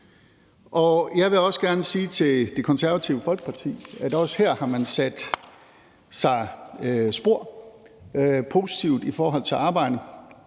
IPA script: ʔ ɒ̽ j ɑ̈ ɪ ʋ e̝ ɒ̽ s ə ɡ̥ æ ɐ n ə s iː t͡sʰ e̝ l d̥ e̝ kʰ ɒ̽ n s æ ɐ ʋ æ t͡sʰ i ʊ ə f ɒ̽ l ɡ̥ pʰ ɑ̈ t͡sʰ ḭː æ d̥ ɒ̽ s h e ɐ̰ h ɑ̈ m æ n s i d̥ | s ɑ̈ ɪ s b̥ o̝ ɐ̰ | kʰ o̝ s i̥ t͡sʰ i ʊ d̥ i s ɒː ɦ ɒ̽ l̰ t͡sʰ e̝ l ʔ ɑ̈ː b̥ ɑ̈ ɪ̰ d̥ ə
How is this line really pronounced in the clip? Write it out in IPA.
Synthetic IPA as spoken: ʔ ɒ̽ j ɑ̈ ɪ ʋ e̝ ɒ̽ s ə ɡ̥ æ ɐ n ə s iː t͡sʰ e̝ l d̥ e̝ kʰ ɒ̽ n s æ ɐ ʋ æ t͡sʰ i ʊ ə f ɒ̽ l ɡ̥ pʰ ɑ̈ t͡sʰ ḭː æ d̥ ɒ̽ s h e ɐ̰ h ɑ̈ m æ n s æ d̥ | s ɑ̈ ɪ s b̥ o̝ ɐ̰ | pʰ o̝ s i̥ t͡sʰ i ʊ d̥ i f ɒː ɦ ɒ̽ l̰ t͡sʰ e̝ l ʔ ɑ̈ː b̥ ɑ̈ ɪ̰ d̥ ə